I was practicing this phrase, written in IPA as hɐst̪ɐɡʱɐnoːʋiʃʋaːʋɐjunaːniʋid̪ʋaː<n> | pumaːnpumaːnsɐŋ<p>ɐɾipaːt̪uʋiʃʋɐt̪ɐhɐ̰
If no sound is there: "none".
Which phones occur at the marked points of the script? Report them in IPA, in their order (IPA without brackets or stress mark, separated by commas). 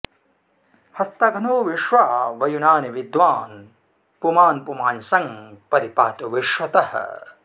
n, p